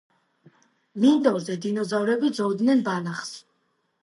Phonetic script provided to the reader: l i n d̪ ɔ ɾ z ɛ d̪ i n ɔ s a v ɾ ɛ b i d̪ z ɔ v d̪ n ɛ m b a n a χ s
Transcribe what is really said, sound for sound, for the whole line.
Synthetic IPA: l i n d̪ ɔ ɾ z ɛ d̪ i n ɔ z a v ɾ ɛ b i d̪ z ɔ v d̪ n ɛ n b a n a χ s